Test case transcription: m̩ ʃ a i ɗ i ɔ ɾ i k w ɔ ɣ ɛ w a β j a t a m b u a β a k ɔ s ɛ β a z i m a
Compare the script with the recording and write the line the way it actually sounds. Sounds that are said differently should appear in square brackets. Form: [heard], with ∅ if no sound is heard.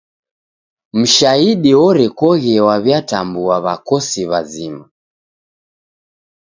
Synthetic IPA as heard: m̩ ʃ a i ɗ i ɔ ɾ [ɛ] k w ɔ ɣ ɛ w a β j a t a m b u a β a k ɔ s [i] β a z i m a